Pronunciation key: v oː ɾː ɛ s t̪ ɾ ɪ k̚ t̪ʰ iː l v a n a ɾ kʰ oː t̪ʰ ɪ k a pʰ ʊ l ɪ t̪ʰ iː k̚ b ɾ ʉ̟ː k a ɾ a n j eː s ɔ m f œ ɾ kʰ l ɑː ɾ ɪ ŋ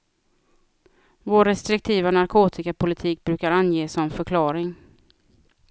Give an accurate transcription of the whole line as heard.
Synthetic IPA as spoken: v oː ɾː ɛ s t̪ ɾ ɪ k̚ t̪ʰ iː v a n a ɾ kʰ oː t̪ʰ ɪ k a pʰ ʊ l ɪ t̪ʰ iː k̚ b ɾ ʉ̟ː k a ɾ a n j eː s ɔ m f œ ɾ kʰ l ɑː ɾ ɪ ŋ